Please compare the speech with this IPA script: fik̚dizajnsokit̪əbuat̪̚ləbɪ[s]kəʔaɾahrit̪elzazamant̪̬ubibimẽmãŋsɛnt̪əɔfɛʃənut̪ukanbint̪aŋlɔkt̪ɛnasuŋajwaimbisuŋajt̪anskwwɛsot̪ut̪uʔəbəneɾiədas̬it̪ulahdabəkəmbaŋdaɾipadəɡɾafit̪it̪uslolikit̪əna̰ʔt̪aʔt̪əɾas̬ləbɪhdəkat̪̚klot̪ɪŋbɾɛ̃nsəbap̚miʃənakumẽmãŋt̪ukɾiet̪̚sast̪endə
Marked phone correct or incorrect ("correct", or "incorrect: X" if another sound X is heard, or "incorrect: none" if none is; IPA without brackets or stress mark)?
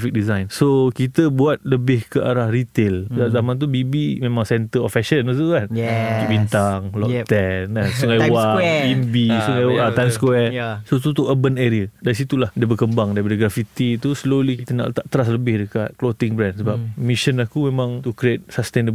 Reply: incorrect: h